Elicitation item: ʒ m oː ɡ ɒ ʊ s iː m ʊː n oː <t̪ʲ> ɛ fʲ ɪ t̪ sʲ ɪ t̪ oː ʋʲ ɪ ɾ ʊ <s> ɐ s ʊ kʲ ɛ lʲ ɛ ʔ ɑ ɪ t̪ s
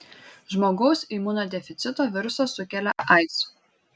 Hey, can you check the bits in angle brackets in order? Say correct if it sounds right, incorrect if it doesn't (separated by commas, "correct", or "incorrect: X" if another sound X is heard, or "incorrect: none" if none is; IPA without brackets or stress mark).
incorrect: d̪ʲ, correct